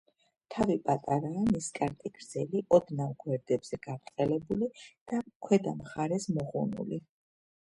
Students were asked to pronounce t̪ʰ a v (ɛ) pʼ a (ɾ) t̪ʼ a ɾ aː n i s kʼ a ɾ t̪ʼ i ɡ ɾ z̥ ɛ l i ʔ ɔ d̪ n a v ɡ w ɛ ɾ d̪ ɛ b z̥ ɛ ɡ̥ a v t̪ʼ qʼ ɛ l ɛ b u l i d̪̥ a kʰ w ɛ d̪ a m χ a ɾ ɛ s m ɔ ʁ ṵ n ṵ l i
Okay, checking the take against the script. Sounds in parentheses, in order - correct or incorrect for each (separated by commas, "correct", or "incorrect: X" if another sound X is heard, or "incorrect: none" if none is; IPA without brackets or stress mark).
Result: incorrect: i, incorrect: none